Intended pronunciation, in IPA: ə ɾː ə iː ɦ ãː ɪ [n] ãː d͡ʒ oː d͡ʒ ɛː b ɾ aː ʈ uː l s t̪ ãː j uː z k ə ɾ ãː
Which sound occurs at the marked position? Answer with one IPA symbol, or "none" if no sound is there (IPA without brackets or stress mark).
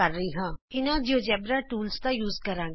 n